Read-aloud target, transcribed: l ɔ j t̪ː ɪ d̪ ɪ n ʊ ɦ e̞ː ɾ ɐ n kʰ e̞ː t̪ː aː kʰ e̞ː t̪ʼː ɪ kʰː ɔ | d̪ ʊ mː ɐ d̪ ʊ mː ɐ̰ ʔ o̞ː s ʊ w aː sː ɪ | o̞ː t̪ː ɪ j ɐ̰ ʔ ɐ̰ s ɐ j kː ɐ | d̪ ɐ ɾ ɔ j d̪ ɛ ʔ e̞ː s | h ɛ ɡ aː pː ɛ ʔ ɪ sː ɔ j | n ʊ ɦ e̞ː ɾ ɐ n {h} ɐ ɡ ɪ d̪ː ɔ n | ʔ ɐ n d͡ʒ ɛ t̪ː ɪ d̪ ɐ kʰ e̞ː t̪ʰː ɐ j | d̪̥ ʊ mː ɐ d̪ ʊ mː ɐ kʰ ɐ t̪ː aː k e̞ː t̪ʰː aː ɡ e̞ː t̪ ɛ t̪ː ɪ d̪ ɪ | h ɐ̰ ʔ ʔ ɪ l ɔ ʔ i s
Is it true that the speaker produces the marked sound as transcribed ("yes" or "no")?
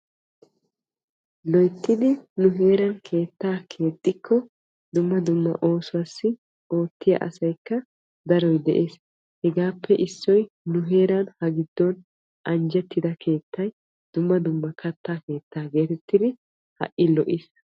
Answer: yes